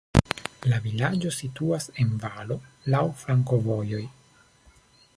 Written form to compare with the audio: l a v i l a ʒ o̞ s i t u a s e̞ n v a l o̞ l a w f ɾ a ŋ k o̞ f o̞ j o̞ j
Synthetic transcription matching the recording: l a v i l a d͡ʒ o̞ s i t u a s e̞ n v a l o̞ l a w f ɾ a ŋ k o̞ v o̞ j o̞ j